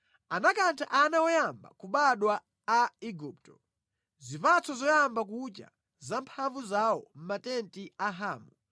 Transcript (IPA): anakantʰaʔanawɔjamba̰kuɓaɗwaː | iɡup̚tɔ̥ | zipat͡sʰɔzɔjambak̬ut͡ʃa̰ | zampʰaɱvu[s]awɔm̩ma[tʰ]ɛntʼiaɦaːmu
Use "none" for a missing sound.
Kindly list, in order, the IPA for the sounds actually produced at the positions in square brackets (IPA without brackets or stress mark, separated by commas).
z, t